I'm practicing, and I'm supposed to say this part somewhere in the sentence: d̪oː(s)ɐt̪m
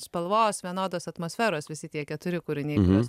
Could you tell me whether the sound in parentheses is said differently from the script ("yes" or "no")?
no